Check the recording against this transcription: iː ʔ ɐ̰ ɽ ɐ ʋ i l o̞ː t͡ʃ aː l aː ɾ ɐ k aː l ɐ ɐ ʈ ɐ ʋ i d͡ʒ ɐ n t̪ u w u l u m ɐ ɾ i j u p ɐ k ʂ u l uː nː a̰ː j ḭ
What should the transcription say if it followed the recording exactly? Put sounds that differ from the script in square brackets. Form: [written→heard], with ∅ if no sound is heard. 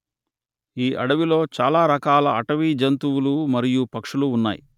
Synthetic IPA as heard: iː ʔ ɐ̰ ɽ ɐ ʋ i l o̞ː t͡ʃ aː l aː ɾ ɐ k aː l ɐ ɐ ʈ ɐ ʋ i d͡ʒ ɐ n t̪ u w u l u m ɐ ɾ i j u p ɐ k ʂ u l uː nː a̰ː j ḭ

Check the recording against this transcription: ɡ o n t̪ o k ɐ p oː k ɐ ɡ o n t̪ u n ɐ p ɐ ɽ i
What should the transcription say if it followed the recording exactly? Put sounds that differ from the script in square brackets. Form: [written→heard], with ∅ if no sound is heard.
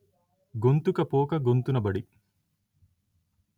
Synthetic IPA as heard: ɡ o n t̪ [o→u] k ɐ p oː k ɐ ɡ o n t̪ u n ɐ [p→b] ɐ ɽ i

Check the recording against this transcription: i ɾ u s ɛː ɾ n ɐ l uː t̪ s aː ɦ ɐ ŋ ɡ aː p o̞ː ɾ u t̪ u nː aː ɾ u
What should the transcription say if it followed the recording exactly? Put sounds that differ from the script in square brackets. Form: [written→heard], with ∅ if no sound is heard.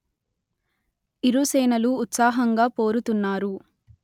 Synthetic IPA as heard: i ɾ u s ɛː [ɾ→∅] n ɐ l uː t̪ s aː ɦ ɐ ŋ ɡ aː p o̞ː ɾ u t̪ u nː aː ɾ u

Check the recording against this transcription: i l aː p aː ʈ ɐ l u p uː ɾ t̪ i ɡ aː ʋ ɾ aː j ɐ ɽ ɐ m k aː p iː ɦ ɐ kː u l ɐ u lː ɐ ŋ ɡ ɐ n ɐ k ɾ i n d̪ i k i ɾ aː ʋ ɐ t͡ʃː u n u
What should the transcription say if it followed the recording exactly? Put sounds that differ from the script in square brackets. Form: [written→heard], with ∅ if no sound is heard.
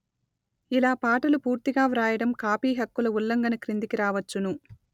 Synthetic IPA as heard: i l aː p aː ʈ ɐ l u p uː ɾ t̪ i ɡ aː ʋ ɾ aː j ɐ ɽ ɐ m k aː p iː ɦ ɐ kː u l ɐ u lː ɐ ŋ ɡ ɐ n ɐ k ɾ i n d̪ i k i ɾ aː ʋ ɐ t͡ʃː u n u

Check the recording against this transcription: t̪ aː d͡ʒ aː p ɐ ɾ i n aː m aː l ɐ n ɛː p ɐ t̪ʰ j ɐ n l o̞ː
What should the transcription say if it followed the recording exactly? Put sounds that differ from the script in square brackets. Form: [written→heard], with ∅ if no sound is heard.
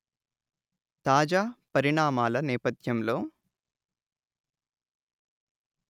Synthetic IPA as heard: t̪ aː d͡ʒ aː p ɐ ɾ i [n→ɳ] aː m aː l ɐ n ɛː p ɐ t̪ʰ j ɐ [n→m] l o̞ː

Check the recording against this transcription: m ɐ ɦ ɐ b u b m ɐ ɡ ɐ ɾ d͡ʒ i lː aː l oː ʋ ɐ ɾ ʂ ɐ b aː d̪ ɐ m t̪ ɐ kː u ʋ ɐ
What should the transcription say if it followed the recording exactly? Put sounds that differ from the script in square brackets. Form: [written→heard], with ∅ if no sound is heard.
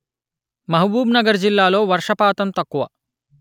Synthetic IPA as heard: m ɐ ɦ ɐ b [u→uː] b [m→n] ɐ ɡ ɐ ɾ d͡ʒ i lː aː l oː ʋ ɐ ɾ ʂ ɐ [b→p] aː [d̪→t̪] ɐ m t̪ ɐ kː u ʋ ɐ

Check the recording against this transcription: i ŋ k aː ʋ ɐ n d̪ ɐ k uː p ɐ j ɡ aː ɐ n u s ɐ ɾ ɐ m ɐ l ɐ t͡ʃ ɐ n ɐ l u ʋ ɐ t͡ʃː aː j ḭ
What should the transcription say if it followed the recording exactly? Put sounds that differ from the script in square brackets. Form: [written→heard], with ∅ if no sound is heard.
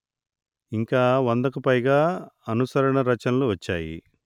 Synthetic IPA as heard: i ŋ k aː ʋ ɐ n d̪ ɐ k [uː→u] p ɐ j ɡ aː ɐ n u s ɐ ɾ ɐ [m→ɳ] ɐ [l→ɾ] ɐ t͡ʃ ɐ n ɐ l u ʋ ɐ t͡ʃː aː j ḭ

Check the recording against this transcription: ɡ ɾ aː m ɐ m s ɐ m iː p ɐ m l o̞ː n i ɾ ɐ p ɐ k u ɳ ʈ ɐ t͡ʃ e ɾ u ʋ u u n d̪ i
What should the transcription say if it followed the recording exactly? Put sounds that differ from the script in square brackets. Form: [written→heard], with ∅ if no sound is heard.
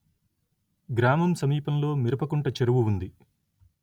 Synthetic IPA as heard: ɡ ɾ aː m ɐ m s ɐ m iː p ɐ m l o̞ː [n→m] i ɾ ɐ p ɐ k u ɳ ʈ ɐ t͡ʃ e ɾ u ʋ u u n d̪ i

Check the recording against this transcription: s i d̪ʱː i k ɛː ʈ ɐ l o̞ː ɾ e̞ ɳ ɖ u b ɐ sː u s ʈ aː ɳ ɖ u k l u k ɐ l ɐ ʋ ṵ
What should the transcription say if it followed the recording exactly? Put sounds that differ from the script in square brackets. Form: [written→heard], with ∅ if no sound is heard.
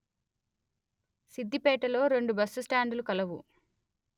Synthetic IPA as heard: s i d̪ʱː i [k→p] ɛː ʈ ɐ l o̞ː ɾ e̞ ɳ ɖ u b ɐ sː u s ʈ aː ɳ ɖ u [k→∅] l u k ɐ l ɐ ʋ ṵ

